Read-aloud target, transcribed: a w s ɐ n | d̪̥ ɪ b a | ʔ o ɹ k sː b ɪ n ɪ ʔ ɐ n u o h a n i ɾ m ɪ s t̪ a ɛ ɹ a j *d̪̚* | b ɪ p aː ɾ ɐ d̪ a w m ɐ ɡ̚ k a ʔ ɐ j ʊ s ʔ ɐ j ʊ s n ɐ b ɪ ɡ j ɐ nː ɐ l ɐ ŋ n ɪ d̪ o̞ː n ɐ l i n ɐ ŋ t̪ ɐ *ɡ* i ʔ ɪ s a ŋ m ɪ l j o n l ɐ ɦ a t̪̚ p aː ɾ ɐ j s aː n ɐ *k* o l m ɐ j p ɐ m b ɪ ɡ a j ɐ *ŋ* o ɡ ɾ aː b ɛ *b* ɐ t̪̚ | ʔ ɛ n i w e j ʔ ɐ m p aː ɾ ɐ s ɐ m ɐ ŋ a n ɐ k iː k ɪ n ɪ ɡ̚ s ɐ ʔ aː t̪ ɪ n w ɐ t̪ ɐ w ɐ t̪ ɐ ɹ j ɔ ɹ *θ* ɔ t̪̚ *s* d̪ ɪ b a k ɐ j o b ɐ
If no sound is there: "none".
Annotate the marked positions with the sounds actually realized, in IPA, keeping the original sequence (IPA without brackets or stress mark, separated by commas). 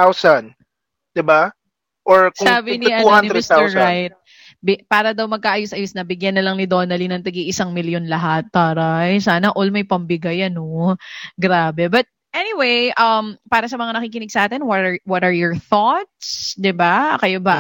t̪̚, ɡ, ʔ, n, b, θ, s